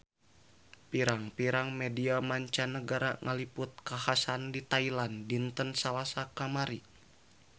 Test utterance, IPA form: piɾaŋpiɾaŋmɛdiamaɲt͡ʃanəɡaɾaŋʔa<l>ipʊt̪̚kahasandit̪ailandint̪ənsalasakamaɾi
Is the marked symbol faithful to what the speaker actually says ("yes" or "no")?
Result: yes